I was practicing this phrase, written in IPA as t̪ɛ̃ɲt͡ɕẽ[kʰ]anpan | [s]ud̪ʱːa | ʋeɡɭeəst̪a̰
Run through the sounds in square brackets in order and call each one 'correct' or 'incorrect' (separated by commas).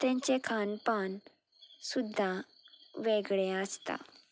correct, correct